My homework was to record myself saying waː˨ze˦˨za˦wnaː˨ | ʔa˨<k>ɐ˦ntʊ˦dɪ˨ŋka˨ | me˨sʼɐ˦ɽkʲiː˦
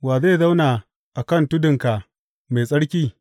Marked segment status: correct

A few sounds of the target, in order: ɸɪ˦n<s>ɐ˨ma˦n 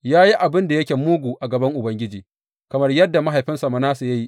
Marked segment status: correct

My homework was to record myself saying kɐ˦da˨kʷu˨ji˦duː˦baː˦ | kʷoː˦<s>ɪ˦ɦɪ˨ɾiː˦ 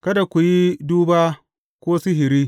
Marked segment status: correct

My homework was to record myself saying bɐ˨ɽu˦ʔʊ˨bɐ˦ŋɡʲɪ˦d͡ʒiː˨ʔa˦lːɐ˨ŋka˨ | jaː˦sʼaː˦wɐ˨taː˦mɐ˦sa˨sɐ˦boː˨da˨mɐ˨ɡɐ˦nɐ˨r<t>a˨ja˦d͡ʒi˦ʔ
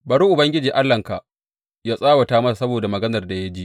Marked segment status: incorrect: d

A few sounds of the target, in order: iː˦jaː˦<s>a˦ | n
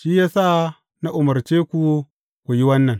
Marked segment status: correct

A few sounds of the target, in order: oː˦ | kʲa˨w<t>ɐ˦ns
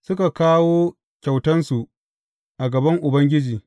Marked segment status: correct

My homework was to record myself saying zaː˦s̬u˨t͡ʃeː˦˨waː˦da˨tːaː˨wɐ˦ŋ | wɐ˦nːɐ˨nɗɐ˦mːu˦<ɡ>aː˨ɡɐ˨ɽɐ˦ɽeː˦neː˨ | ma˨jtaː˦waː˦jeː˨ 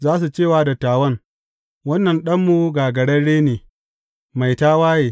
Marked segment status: correct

